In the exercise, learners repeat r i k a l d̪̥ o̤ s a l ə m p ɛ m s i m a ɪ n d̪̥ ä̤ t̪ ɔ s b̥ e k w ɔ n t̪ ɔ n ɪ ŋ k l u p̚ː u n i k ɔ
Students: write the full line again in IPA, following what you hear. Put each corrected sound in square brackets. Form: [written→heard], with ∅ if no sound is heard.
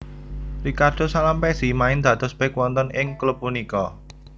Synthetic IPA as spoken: r i k a [l→r] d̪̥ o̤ s a l [ə→a] m p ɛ [m→∅] s i m a ɪ n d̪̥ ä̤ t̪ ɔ s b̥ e k w ɔ n t̪ ɔ n ɪ ŋ k l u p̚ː u n i k ɔ